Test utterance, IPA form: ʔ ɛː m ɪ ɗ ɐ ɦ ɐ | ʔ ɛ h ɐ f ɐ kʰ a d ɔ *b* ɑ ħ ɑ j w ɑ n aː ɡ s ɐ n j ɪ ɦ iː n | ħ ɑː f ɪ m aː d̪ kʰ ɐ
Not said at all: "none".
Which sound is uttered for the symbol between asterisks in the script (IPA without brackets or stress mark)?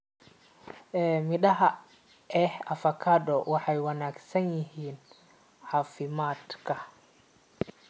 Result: w